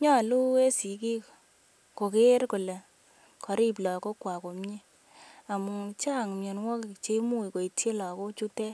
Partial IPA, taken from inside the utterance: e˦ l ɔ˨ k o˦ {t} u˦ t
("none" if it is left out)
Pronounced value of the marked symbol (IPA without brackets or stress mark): t͡ʃ